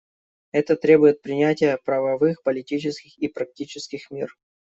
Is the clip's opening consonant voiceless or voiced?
voiceless